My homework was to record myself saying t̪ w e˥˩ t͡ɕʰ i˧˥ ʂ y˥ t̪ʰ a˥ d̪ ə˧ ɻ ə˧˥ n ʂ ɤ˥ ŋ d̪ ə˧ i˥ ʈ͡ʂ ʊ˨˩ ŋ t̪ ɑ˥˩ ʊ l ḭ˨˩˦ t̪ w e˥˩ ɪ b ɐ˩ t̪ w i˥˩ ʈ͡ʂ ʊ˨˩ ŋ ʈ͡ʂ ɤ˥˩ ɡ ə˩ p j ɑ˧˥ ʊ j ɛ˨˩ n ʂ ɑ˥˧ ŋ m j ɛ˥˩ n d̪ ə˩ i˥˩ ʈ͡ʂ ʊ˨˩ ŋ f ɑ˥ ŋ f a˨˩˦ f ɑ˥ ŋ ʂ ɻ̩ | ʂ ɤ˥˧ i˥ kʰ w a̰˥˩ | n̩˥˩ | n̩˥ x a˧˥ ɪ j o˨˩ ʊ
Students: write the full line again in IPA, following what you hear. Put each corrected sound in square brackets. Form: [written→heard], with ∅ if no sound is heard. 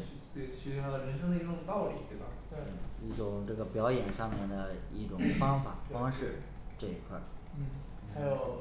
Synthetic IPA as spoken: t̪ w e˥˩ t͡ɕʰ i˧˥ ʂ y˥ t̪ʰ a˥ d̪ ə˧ ɻ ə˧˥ n ʂ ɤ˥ ŋ d̪ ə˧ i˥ ʈ͡ʂ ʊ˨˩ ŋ t̪ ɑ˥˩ ʊ l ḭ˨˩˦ t̪ w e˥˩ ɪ b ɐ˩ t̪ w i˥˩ ʈ͡ʂ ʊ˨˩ ŋ ʈ͡ʂ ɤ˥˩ ɡ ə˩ p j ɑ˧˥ ʊ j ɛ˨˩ n ʂ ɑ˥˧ ŋ m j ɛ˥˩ n d̪ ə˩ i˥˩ ʈ͡ʂ ʊ˨˩ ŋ f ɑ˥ ŋ f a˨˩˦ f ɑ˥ ŋ ʂ ɻ̩ | [ʂ→ʈ͡ʂ] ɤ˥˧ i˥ kʰ w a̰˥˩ | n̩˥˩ | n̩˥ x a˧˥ ɪ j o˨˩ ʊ